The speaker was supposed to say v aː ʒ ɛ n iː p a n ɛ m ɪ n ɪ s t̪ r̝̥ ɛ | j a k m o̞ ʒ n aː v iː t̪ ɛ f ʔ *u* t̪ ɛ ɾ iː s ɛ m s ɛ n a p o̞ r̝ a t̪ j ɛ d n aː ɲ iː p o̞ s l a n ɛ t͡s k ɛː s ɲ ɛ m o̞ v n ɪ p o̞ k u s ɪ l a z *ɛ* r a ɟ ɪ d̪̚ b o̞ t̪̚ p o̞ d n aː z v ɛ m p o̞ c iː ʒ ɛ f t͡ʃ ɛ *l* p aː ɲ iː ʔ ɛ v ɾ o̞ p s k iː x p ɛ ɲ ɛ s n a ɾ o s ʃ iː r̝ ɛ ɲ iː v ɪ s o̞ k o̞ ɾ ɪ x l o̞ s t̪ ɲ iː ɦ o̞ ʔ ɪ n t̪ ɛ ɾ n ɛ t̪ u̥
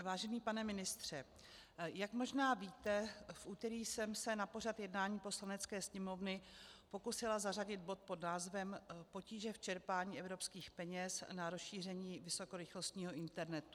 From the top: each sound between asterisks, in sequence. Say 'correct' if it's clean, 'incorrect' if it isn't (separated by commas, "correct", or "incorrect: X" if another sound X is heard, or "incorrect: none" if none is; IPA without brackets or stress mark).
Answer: incorrect: uː, incorrect: a, incorrect: ɾ